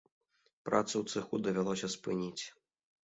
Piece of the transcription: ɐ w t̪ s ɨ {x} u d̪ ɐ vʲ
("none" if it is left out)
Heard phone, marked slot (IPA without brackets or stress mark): x